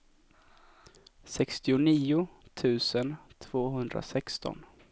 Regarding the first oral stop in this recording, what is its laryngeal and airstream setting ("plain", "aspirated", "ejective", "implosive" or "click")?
plain